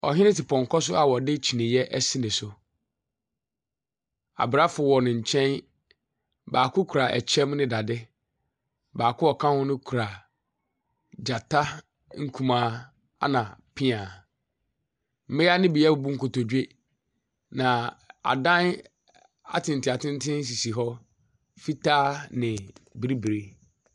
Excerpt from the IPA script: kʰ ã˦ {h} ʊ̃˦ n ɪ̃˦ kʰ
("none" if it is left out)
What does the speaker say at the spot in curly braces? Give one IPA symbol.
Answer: h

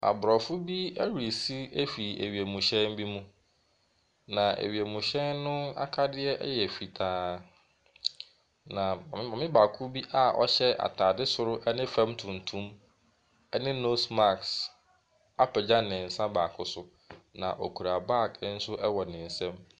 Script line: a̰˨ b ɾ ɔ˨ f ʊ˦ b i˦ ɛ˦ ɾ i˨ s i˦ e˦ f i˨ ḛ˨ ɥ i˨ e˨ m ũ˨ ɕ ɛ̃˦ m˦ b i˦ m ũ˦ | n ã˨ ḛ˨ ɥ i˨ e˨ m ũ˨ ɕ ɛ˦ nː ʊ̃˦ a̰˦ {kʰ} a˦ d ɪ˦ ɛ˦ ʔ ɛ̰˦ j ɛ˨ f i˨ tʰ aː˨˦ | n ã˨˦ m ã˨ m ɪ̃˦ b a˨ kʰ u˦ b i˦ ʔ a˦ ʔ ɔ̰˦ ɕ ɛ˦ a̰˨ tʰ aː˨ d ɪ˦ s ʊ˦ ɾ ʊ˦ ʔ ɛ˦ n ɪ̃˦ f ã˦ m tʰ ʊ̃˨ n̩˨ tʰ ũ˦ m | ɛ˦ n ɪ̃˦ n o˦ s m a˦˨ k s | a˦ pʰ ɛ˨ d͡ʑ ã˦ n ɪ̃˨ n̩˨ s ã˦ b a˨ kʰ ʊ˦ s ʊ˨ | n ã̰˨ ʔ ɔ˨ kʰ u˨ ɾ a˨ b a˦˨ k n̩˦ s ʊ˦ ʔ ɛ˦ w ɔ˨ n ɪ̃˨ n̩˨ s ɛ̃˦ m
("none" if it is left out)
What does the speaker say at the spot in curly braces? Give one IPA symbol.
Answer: kʰ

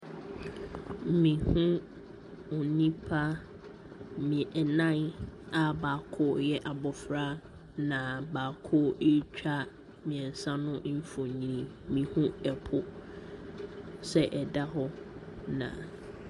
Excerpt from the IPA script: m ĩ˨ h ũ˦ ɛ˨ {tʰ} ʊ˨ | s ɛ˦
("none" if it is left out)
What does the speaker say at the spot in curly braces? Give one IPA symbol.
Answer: pʰ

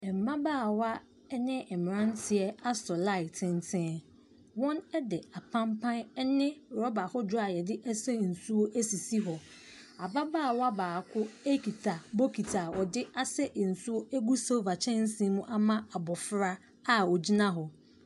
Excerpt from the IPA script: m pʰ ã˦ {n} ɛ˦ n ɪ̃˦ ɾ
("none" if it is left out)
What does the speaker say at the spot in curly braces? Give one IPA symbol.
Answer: n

